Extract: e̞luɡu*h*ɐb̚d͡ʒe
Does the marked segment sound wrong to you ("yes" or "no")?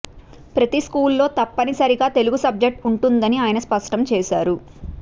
yes